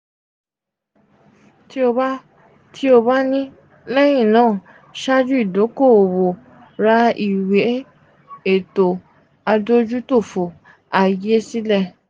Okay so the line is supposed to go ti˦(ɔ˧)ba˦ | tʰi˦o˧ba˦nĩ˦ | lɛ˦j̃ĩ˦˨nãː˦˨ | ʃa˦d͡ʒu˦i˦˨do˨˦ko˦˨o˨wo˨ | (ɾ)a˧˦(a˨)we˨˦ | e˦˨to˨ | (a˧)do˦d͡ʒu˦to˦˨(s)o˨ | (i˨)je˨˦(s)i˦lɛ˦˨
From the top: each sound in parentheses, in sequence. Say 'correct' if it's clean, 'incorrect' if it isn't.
incorrect: o˧, correct, incorrect: i˨, correct, incorrect: f, incorrect: a˨, correct

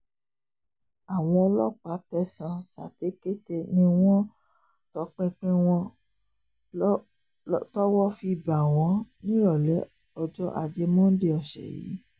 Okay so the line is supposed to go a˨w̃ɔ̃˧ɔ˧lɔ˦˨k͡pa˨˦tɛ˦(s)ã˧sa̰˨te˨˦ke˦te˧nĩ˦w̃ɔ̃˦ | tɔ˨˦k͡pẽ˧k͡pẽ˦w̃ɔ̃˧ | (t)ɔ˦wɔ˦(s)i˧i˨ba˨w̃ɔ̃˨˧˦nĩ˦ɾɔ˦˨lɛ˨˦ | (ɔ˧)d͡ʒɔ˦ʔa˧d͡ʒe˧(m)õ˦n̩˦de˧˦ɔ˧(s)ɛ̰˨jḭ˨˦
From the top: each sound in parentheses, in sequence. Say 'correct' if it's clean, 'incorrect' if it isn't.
correct, correct, incorrect: f, correct, correct, incorrect: ʃ

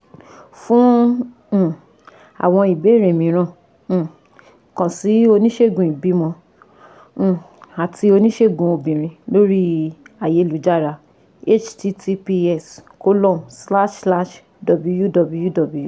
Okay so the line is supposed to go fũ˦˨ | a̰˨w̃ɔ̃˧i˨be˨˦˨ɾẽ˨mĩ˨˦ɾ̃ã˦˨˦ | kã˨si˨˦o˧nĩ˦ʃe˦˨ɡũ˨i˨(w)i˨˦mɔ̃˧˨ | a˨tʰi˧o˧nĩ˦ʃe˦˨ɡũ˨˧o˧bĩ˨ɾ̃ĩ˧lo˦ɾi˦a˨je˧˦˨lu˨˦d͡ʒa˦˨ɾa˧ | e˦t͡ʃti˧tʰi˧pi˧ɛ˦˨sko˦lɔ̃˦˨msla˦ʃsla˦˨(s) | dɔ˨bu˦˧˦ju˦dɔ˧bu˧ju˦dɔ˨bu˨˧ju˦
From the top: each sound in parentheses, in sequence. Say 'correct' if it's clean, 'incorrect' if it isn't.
incorrect: b, incorrect: ʃ

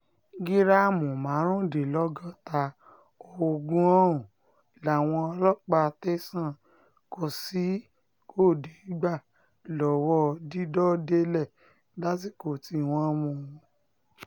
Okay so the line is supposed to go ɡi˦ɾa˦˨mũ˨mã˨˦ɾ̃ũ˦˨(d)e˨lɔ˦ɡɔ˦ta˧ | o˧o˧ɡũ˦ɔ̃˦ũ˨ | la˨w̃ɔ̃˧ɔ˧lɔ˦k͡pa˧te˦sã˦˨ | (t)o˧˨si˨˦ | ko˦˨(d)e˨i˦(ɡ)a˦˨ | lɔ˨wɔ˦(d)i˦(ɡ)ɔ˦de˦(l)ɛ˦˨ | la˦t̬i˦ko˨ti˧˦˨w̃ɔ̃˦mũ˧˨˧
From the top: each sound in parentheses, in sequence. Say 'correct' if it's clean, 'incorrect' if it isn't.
correct, incorrect: k, correct, incorrect: ɡ͡b, correct, incorrect: d, correct

